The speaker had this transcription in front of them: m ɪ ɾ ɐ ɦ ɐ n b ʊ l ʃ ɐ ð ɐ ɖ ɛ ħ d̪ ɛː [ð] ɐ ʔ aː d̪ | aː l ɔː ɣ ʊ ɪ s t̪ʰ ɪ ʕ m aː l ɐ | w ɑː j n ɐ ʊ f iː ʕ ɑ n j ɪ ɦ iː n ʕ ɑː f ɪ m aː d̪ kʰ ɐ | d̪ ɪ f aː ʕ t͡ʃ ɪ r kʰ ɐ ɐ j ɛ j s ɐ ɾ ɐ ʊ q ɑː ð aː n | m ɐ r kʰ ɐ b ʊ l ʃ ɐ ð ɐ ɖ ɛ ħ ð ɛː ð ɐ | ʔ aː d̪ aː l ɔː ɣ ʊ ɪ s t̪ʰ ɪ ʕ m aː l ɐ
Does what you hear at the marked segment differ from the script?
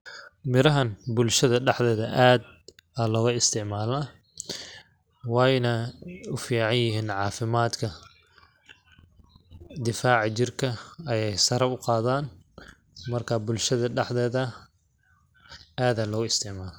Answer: no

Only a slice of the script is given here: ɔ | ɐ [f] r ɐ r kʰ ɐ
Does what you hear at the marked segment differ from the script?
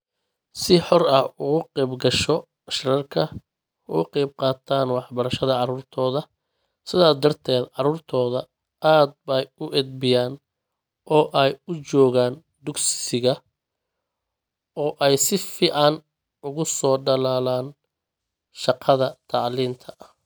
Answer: yes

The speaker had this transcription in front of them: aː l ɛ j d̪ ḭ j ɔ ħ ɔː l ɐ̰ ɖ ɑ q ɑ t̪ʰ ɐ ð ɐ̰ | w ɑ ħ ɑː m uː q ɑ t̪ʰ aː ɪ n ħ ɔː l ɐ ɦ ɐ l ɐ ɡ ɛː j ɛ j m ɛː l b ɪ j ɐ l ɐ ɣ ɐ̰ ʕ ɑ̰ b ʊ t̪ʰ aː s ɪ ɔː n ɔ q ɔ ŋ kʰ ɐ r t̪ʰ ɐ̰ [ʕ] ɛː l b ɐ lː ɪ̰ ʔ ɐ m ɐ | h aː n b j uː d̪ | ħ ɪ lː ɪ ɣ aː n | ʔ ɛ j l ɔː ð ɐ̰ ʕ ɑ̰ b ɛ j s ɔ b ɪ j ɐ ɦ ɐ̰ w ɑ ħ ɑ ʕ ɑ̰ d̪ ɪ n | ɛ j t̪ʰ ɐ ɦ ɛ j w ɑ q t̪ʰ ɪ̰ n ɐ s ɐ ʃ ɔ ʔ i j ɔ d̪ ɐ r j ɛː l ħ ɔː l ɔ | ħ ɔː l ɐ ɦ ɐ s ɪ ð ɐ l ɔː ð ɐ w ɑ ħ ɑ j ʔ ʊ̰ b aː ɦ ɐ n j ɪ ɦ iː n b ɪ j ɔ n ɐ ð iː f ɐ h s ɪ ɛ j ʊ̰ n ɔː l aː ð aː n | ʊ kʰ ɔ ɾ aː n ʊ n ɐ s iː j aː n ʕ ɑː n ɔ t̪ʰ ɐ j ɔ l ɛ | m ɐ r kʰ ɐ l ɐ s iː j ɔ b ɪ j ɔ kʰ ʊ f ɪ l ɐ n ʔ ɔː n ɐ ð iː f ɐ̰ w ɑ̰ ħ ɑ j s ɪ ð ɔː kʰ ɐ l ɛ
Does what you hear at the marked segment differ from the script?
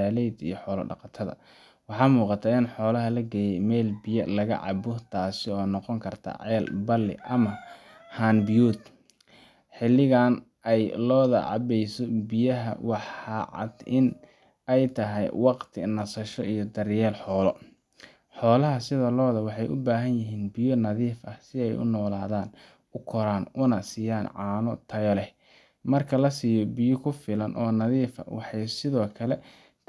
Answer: no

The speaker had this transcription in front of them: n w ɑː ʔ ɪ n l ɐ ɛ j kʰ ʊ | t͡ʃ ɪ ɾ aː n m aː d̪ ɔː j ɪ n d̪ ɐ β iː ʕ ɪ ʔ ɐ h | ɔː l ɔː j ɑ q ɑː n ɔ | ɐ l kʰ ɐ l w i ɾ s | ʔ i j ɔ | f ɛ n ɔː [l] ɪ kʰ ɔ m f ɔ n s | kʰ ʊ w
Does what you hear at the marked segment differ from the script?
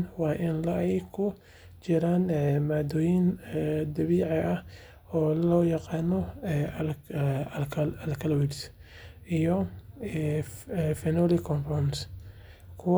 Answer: no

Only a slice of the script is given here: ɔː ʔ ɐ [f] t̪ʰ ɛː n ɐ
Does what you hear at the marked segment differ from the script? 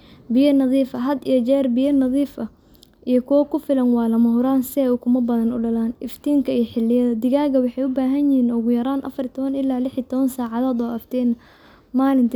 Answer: no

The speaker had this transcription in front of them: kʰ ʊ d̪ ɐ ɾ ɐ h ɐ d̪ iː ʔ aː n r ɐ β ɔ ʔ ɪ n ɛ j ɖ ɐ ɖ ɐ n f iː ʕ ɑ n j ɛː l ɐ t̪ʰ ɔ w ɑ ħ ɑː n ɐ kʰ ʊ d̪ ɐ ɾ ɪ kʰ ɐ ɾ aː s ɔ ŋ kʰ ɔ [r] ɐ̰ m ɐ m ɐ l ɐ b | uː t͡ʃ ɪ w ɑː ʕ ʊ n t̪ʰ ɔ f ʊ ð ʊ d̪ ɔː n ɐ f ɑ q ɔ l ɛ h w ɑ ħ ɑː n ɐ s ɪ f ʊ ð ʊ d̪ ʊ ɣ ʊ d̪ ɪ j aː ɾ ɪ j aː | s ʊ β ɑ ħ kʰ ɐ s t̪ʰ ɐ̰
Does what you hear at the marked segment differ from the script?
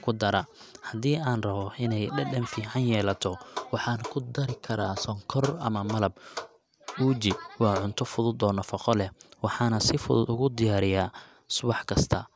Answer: no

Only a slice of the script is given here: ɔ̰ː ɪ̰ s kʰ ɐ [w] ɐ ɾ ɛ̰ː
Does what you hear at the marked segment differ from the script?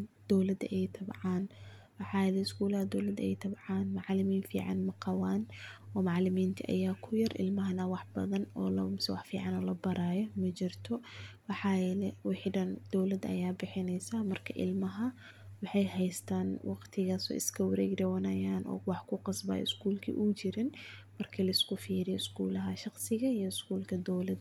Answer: no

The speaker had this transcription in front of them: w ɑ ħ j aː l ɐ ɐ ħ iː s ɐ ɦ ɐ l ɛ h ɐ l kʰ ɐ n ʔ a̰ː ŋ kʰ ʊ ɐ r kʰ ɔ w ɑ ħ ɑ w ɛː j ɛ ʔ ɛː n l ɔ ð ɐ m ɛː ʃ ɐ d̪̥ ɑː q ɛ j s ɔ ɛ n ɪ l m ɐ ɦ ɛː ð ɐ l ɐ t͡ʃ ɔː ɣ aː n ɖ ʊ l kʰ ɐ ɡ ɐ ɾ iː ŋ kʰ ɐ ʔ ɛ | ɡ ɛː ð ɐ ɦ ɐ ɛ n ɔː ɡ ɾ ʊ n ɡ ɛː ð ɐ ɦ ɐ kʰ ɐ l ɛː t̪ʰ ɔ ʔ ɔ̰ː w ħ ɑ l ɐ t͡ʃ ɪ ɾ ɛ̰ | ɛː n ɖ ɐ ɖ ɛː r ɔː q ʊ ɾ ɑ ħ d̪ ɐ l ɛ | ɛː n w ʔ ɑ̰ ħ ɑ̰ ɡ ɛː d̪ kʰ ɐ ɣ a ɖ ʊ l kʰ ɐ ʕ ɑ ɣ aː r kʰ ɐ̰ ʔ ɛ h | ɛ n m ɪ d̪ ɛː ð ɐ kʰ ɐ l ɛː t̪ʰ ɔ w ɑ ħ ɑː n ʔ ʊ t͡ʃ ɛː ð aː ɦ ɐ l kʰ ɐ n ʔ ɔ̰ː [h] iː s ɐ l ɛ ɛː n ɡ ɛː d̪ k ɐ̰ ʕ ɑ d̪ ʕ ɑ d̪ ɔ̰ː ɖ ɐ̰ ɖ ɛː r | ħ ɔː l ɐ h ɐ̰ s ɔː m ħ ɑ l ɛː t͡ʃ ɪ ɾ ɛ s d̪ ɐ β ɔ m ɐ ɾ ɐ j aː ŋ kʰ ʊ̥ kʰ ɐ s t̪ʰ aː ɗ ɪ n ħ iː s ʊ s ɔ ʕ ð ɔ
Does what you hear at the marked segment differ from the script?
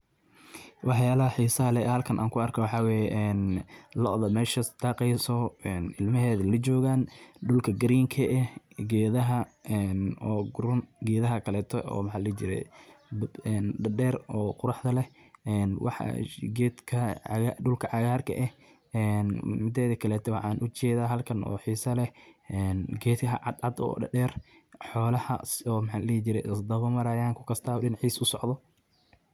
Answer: yes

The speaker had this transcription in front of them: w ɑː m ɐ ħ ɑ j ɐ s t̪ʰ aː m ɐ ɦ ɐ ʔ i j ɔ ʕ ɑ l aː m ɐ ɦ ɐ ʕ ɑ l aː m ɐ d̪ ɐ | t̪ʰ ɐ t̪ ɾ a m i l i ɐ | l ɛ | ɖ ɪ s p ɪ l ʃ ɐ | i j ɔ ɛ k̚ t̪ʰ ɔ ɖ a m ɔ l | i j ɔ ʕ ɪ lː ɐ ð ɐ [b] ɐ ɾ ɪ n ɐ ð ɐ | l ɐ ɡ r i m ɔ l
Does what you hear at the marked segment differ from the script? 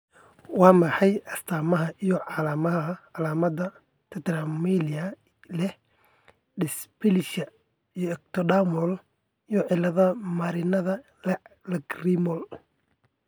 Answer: yes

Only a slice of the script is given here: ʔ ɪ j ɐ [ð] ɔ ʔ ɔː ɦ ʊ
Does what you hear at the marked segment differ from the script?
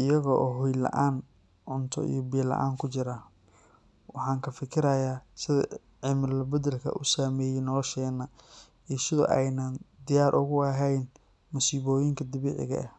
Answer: yes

